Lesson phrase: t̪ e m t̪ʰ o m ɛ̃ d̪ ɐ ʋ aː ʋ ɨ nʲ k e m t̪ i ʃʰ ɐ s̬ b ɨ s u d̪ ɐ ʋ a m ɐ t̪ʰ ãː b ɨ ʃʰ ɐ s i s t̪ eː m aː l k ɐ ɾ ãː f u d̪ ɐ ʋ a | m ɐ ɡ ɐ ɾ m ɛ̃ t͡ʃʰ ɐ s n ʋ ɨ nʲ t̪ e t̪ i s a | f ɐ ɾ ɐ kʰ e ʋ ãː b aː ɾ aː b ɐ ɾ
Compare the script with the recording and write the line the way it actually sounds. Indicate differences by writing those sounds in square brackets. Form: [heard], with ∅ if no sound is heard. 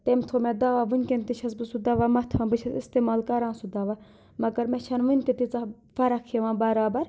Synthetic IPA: t̪ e m t̪ʰ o m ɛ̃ d̪ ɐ ʋ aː ʋ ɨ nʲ k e [n] t̪ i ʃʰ ɐ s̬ b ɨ s u d̪ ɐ ʋ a m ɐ t̪ʰ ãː b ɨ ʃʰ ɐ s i s t̪ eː m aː l k ɐ ɾ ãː [s] u d̪ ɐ ʋ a | m ɐ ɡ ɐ ɾ m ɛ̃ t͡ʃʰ ɐ [∅] n ʋ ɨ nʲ t̪ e t̪ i [t͡s] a | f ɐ ɾ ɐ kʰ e ʋ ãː b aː ɾ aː b ɐ ɾ